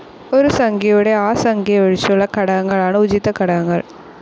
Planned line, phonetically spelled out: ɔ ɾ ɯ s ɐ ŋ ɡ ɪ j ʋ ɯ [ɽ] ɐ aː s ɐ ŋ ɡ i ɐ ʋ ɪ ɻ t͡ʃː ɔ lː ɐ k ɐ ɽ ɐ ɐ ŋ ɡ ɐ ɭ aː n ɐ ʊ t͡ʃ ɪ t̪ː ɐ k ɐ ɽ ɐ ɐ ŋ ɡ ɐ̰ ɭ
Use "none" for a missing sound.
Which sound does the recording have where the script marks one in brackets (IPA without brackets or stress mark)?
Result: ɽ